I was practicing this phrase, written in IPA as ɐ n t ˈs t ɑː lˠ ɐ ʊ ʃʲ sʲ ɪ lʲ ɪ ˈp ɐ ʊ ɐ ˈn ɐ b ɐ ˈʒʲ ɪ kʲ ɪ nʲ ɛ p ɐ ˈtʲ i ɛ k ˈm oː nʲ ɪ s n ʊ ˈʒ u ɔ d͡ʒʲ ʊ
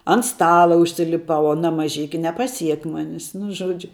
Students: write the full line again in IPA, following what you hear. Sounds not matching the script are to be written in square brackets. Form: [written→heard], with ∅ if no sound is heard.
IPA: ɐ n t ˈs t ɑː lˠ ɐ ʊ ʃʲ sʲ ɪ lʲ ɪ ˈp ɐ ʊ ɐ ˈn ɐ [b→m] ɐ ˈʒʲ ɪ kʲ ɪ nʲ ɛ p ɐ [ˈtʲ→ˈsʲ] i ɛ k ˈm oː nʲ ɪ s n ʊ ˈʒ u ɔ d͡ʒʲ ʊ